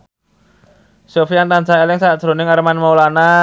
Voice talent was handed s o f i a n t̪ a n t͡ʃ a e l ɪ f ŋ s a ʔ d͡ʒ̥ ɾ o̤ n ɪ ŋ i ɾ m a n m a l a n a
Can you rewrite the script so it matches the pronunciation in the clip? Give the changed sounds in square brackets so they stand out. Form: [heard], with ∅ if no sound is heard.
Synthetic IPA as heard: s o f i a n t̪ a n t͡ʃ a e l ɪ [∅] ŋ s a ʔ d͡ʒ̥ ɾ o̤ n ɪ ŋ [a] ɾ m a n m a l a n a